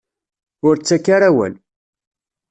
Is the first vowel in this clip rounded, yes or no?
yes